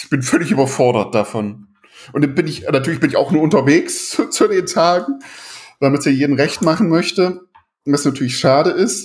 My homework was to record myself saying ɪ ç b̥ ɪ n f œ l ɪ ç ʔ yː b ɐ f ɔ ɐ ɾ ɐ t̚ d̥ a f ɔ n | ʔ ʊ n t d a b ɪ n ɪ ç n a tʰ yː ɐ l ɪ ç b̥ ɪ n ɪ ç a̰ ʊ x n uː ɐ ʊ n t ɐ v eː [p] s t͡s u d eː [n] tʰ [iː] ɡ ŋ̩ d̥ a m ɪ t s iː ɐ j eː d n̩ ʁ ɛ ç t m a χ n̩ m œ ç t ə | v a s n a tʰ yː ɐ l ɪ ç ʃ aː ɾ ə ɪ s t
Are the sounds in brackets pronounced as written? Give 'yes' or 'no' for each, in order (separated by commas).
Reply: no, yes, no